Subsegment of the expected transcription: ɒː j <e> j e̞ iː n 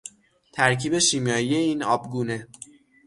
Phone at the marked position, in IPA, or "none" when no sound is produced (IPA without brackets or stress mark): i